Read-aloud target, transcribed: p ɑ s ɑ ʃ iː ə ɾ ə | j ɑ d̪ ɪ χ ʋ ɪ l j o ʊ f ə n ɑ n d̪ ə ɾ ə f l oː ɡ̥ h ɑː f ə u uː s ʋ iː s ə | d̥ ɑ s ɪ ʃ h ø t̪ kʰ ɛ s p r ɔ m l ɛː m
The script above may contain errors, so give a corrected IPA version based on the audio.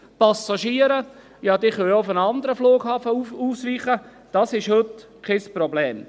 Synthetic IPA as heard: p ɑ s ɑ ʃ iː ə ɾ ə | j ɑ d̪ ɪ χ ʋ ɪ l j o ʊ f ə n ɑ n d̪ ə ɾ ə f l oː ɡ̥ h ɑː f ə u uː s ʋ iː χ ə | d̥ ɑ s ɪ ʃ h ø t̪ kʰ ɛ s p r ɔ b l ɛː m